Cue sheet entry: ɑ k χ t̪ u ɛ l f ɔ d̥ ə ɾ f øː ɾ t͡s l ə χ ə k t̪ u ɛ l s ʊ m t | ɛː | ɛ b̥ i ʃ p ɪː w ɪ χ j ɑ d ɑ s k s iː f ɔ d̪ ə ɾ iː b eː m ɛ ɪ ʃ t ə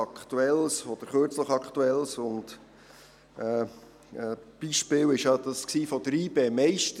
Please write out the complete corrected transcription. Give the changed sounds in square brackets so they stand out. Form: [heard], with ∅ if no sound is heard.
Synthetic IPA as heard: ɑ k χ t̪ u ɛ l [s] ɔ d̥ ə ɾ [χ] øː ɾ t͡s l ə χ [ɑ] k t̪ u ɛ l s ʊ [n] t | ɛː | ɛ b̥ i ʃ p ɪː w ɪ [ʃ] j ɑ d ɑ s k s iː f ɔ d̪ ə ɾ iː b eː m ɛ ɪ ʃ t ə

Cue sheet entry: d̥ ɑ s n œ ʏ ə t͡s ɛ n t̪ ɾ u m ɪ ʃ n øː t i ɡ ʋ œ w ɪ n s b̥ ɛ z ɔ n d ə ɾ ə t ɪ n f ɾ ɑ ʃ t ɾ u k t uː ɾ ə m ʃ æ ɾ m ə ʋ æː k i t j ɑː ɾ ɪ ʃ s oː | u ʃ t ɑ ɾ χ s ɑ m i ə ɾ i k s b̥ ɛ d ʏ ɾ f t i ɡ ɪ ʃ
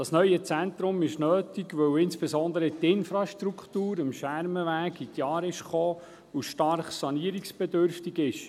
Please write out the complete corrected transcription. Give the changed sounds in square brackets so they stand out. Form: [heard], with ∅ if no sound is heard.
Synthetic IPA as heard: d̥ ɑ s n œ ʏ ə t͡s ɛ n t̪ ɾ [ʊ] m ɪ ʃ n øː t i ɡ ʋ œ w ɪ n s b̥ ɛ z ɔ n d ə ɾ ə t ɪ n f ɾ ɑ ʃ t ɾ u k t uː ɾ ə m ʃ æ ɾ m ə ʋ æː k i t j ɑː ɾ ɪ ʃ [χ] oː | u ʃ t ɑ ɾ χ s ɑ [n] i ə ɾ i k s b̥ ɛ d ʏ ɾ f t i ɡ ɪ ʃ

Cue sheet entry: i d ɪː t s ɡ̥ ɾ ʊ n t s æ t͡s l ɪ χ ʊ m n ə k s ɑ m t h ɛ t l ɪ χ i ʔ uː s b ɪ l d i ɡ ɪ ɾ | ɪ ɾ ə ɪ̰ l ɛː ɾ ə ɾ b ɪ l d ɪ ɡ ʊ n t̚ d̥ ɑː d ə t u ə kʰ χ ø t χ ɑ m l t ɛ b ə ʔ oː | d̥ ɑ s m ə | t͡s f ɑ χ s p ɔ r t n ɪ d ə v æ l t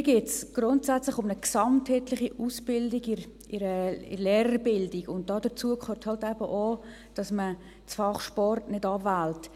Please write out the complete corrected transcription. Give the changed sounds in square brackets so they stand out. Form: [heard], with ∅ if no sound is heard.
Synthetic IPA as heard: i [ɡ] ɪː t s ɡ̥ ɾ ʊ n t s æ t͡s l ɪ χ ʊ m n ə k s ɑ m t h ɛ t l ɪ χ i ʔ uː s b ɪ l d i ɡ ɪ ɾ | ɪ ɾ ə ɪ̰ l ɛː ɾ ə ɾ b ɪ l d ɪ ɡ ʊ n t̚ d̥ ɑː d ə [t͡s] u ə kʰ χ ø t [h] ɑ [∅] l t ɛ b ə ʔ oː | d̥ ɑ s m ə | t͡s f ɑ χ [ʃ] p ɔ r t n ɪ d [ɑ] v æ l t

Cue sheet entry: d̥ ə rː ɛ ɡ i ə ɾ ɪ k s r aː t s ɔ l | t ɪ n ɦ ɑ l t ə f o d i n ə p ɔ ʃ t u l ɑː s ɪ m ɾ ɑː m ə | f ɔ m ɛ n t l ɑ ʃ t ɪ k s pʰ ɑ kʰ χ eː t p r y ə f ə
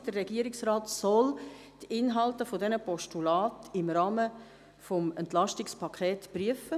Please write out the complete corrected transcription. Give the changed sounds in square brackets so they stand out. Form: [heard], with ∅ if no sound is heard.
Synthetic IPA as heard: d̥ ə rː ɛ ɡ i ə ɾ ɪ k s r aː t s ɔ l | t ɪ n ɦ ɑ l t ə f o d [ɛ] n ə p ɔ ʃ t u l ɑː [t] ɪ m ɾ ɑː m ə | f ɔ m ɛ n t l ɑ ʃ t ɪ k s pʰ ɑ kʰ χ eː t p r y ə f ə

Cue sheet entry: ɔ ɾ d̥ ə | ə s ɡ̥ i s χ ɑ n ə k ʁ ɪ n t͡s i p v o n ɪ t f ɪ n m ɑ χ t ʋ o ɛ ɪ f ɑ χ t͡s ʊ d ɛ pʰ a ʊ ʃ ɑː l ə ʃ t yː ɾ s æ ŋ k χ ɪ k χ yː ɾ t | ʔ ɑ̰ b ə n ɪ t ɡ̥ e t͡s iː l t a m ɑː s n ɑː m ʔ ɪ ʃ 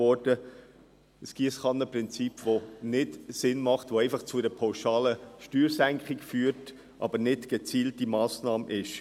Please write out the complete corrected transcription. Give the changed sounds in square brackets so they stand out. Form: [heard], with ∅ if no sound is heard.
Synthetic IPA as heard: ɔ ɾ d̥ ə | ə s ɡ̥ i s χ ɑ n ə [p] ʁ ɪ n t͡s i p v o n ɪ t [s] ɪ n m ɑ χ t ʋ o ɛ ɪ f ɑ χ t͡s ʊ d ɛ pʰ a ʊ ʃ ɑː l ə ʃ t yː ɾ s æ ŋ k χ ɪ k [f] yː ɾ t | ʔ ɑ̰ b ə n ɪ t ɡ̥ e t͡s iː l t [i] m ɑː s n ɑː m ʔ ɪ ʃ

